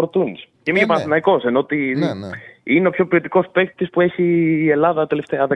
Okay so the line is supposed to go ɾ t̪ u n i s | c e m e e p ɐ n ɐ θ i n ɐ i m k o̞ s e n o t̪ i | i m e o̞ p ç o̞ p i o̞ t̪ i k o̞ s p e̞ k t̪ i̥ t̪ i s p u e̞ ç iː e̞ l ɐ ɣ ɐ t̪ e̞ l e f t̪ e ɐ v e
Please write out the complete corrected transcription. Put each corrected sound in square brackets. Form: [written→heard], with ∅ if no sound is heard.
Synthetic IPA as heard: ɾ t̪ u n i s | c e m [e→i] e p ɐ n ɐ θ i n ɐ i [m→∅] k o̞ s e n o t̪ i | i [m→n] e o̞ p ç o̞ p i o̞ t̪ i k o̞ s p e̞ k t̪ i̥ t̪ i s p u e̞ ç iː e̞ l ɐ [ɣ→ð] ɐ t̪ e̞ l e f t̪ e ɐ [v→ð] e